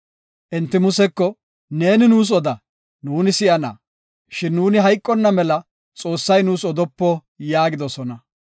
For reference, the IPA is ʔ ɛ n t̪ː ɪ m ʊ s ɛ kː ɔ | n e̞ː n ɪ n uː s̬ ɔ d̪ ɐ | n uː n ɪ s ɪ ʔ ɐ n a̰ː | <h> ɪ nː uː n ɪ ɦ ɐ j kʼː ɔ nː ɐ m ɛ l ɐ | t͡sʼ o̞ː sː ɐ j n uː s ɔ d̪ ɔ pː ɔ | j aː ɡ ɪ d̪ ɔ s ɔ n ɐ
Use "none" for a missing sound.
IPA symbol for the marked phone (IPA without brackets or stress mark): ʃ